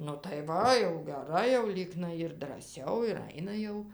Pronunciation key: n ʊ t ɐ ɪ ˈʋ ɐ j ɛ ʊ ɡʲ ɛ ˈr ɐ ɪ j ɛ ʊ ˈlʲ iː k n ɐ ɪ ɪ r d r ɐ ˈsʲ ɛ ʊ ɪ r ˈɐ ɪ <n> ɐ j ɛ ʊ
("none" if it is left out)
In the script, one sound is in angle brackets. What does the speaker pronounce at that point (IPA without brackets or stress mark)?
n